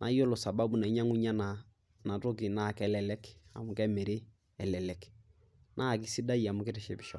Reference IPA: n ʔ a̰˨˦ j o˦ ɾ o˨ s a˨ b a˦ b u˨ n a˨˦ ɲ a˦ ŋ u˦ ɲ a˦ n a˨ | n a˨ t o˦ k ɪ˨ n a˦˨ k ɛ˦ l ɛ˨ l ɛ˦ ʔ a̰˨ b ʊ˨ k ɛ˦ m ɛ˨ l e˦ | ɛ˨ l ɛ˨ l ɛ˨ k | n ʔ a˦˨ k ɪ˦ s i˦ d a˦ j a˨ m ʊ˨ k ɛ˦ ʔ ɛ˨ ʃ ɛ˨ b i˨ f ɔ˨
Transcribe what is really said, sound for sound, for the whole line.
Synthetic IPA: n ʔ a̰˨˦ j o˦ l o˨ s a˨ b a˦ b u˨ n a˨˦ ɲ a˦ ŋ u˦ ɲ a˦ n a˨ | n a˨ t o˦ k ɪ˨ n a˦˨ k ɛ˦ l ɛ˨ l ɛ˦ k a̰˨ m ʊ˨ k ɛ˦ m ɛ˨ ɾ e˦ | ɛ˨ l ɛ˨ l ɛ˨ k | n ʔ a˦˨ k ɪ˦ s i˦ d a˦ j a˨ m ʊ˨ k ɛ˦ t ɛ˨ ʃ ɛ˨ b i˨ ʃ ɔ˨